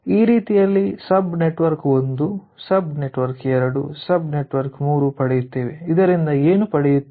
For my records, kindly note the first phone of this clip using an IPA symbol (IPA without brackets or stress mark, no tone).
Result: iː